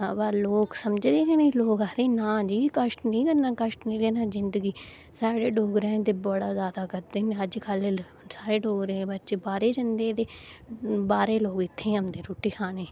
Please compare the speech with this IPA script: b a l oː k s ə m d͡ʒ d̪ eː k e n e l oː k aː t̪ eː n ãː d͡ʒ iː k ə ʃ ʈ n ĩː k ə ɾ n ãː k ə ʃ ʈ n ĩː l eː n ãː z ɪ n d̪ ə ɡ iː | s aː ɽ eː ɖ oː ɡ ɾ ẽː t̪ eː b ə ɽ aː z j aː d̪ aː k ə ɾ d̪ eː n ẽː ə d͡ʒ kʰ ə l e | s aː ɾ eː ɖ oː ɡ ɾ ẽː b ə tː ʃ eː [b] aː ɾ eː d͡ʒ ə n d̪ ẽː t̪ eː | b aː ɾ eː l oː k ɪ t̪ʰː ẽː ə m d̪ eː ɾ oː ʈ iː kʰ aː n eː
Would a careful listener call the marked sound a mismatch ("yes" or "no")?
no